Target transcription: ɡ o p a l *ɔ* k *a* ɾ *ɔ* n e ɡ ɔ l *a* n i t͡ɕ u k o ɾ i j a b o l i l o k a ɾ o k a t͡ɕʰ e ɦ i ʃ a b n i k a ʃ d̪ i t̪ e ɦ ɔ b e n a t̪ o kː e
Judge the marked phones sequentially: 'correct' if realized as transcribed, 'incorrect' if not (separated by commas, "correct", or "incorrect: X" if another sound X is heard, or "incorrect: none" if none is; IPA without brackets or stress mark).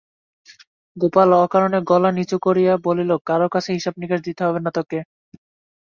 correct, correct, incorrect: o, correct